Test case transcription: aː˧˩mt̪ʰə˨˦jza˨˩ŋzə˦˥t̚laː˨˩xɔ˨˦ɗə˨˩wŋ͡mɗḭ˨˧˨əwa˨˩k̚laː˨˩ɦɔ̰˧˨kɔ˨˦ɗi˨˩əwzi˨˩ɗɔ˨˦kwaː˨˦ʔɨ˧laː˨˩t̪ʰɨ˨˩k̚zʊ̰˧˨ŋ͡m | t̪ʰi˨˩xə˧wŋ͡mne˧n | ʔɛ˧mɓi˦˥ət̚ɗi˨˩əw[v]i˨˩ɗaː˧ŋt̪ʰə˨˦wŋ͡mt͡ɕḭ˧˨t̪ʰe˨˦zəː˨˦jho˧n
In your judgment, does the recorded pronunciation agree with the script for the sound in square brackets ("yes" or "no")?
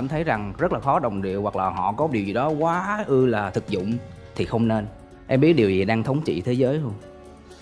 no